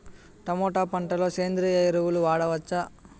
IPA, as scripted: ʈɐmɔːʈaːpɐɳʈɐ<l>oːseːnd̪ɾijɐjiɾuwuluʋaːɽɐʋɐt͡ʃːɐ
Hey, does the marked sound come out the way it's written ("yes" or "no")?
yes